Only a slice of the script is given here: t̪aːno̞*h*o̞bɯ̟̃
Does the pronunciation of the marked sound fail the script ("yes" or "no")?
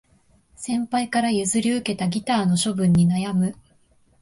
yes